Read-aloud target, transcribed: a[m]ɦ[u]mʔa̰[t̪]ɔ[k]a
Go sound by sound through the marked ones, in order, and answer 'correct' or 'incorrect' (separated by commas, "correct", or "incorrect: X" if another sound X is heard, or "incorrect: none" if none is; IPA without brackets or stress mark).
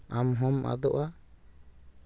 correct, incorrect: ɔ, incorrect: d̪, incorrect: ʔ